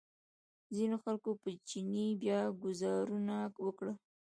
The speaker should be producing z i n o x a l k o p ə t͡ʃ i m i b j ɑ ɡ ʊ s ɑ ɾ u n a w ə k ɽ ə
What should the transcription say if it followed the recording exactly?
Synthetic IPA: z i n o x a l k o p ə t͡ʃ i n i b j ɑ ɡ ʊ z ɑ ɾ u n a w ə k ɽ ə